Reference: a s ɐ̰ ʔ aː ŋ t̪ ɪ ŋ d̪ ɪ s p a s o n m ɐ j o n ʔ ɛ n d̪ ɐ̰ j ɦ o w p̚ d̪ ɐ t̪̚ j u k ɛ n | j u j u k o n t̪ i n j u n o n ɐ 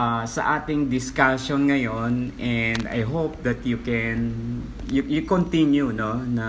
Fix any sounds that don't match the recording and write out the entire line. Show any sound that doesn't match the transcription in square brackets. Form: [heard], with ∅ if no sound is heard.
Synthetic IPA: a s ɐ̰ ʔ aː [∅] t̪ ɪ ŋ d̪ ɪ s [k] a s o n [ŋ] ɐ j o n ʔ ɛ n d̪ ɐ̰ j ɦ o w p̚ d̪ ɐ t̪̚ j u k ɛ n | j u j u k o n t̪ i n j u n o n ɐ